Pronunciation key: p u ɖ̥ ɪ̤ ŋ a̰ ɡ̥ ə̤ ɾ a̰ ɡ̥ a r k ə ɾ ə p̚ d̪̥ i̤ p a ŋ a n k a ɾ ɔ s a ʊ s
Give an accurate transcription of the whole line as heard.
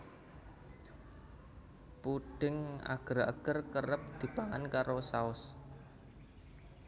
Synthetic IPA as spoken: p u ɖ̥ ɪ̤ ŋ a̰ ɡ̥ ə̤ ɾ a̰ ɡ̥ ə r k ə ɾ ə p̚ d̪̥ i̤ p a ŋ a n k a ɾ o s a ʊ s